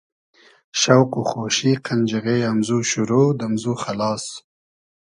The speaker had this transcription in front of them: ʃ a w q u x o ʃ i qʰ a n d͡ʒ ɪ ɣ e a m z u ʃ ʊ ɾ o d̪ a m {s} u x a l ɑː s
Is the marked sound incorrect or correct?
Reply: incorrect